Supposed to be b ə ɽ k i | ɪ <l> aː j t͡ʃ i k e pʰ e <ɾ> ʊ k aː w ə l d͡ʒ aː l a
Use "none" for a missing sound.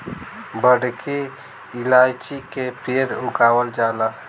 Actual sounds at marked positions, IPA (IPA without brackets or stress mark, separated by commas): l, ɾ